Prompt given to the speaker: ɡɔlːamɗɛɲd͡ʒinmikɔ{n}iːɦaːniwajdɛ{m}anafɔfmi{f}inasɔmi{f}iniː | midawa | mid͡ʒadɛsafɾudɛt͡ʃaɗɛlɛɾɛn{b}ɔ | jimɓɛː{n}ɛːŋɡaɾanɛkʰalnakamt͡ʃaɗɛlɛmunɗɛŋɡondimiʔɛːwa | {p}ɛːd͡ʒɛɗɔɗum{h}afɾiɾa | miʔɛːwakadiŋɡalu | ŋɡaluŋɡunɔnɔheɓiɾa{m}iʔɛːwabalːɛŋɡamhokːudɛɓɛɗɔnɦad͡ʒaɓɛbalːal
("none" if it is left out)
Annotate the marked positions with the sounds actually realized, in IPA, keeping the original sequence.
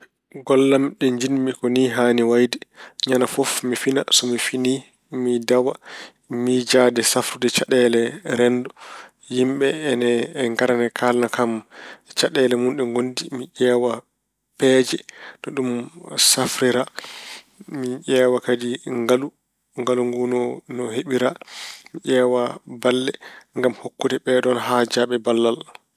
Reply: n, ɲ, f, f, d, n, p, s, m

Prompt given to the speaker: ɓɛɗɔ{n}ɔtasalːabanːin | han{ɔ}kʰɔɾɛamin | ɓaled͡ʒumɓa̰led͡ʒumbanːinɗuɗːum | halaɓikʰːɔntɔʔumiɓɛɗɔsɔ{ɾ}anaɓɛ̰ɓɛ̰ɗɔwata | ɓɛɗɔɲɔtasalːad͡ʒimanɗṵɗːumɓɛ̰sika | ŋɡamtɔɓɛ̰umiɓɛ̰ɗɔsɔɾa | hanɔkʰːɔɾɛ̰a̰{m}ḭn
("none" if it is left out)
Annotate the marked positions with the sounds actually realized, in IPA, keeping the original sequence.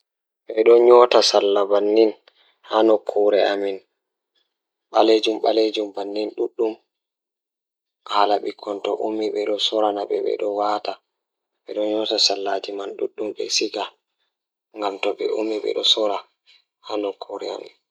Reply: ɲ, ɔ, ɾ, m

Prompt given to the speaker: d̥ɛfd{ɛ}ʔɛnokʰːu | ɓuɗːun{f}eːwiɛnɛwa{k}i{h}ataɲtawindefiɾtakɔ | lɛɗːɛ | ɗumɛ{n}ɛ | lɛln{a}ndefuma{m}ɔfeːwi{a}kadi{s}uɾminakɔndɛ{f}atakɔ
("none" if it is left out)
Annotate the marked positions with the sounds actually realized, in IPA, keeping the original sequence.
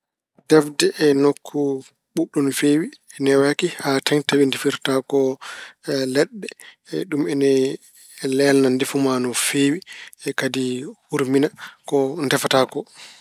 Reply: ɛ, f, k, h, n, a, n, ɛ, h, f

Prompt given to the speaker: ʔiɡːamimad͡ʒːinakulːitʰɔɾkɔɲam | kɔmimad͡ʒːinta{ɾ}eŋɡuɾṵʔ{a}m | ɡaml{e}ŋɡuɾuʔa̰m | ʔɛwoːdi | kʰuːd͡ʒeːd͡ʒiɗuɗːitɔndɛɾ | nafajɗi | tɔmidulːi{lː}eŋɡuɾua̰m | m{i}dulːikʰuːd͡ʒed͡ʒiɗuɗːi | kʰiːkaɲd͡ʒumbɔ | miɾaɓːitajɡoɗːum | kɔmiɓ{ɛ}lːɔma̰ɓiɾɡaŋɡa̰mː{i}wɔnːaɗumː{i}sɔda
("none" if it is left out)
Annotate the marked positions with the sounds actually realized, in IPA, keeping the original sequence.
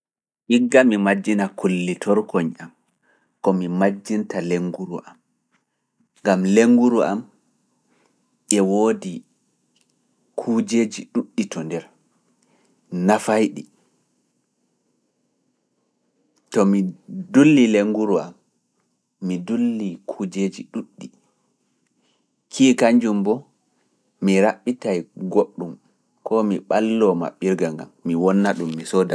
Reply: l, a, e, l, i, a, i, i

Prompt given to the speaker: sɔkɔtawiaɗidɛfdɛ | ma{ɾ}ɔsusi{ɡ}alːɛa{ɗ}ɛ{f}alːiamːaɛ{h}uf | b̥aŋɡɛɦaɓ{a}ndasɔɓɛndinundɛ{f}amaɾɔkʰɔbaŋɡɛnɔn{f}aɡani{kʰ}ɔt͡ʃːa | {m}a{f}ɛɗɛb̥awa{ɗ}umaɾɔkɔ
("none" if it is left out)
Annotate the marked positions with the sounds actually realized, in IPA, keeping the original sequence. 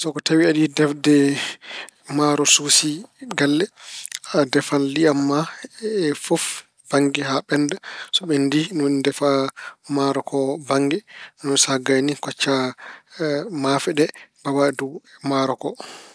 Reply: ɾ, ɡ, d, f, f, ɛ, f, s, k, m, f, d

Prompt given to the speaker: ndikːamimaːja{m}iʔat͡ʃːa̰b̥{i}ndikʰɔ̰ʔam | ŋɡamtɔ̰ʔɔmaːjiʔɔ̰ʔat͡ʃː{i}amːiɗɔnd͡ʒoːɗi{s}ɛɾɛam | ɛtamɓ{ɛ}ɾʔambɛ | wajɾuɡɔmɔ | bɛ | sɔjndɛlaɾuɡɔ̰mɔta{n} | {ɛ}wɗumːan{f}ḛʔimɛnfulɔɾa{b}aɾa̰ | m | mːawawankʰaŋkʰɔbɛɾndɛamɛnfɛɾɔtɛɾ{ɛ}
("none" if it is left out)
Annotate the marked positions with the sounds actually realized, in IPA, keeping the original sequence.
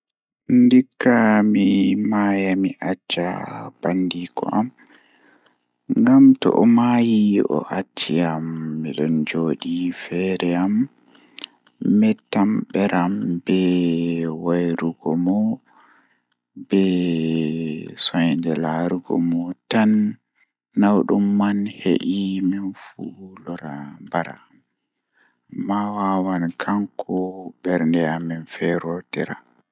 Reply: m, a, i, f, ɛ, nː, a, h, b, a

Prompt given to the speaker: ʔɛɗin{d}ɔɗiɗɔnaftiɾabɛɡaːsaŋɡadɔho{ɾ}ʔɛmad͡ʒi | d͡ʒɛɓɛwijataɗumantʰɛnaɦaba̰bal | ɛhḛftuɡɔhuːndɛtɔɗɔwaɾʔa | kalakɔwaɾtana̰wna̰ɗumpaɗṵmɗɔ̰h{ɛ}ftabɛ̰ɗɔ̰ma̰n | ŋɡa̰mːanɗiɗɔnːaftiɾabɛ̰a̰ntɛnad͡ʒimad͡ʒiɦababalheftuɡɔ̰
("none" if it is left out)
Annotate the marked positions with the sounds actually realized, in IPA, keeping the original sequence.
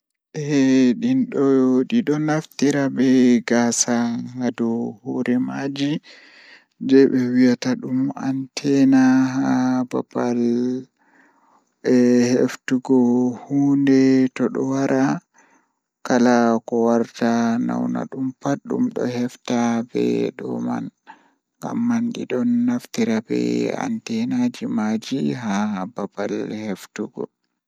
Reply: ɗ, ɾ, ɛ

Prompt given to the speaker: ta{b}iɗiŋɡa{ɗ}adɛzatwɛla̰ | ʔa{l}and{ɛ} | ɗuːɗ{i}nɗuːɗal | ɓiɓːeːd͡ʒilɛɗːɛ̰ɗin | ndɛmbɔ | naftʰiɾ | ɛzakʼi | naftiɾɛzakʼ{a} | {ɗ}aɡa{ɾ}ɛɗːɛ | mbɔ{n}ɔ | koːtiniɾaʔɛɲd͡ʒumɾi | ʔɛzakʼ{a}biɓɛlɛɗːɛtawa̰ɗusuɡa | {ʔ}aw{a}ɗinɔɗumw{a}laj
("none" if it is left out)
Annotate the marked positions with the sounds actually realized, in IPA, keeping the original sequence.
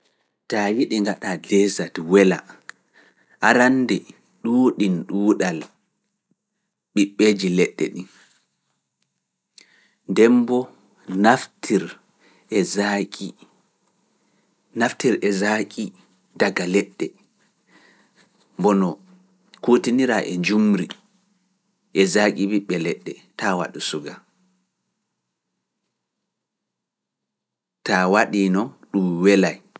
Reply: w, ɗ, ɾ, ɛ, i, i, d, l, n, i, t, a, ɛ

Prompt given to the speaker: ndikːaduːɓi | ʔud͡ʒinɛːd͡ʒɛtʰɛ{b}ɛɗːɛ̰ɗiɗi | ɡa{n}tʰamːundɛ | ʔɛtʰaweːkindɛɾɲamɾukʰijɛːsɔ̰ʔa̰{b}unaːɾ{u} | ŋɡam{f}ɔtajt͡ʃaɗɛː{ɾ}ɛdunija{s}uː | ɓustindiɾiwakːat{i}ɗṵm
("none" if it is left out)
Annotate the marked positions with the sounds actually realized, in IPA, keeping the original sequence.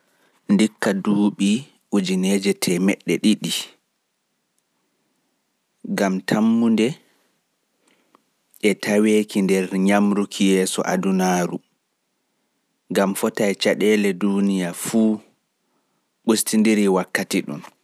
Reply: m, m, d, u, f, l, f, i

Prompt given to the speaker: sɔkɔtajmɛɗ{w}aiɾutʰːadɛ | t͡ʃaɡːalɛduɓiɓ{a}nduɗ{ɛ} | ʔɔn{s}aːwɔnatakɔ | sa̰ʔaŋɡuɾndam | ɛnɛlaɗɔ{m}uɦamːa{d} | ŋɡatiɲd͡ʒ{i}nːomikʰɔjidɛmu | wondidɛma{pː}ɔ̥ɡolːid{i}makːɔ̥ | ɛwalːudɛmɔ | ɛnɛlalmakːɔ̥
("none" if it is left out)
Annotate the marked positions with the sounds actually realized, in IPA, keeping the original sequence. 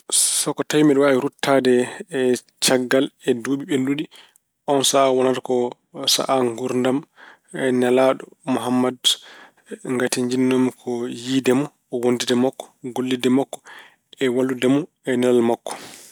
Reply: w, e, i, s, m, d, i, kː, ɛ

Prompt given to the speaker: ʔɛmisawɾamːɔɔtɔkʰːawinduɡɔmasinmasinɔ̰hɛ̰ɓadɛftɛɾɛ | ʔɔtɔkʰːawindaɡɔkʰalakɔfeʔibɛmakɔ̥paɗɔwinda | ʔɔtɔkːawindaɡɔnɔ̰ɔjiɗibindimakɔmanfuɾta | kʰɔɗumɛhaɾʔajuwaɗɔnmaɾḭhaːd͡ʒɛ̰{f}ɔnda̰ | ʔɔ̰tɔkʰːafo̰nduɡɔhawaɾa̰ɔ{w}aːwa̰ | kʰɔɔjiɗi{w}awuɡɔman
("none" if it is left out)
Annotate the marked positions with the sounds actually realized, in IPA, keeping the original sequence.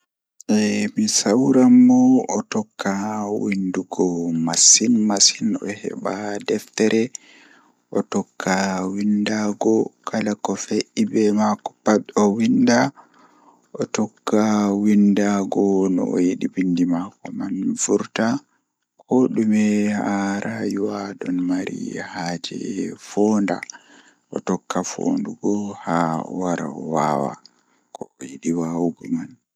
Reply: f, w, w

